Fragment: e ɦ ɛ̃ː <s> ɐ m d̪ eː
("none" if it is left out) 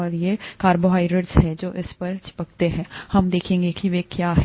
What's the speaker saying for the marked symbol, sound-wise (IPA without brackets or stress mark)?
h